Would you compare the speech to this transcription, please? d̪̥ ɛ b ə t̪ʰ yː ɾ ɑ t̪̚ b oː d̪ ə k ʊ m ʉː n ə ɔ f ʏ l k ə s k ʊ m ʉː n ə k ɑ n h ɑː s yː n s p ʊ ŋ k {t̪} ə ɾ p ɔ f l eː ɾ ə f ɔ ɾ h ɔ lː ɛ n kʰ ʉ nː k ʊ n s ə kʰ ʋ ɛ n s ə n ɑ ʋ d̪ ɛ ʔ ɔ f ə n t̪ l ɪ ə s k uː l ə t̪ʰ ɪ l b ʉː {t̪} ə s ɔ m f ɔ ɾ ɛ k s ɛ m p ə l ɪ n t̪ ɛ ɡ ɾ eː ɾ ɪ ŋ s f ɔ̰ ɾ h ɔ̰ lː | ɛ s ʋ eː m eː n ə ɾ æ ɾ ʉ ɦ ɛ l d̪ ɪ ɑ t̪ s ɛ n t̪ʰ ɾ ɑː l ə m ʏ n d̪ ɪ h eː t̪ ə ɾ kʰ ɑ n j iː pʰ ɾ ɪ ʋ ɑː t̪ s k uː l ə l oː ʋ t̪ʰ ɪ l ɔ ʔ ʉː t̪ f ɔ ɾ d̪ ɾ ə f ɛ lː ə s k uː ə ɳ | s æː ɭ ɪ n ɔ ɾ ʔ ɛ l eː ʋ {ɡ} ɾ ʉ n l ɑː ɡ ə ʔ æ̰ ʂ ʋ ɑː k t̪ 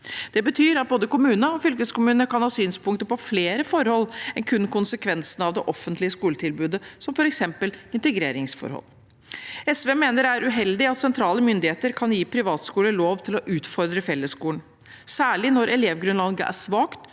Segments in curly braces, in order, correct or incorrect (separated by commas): correct, incorrect, correct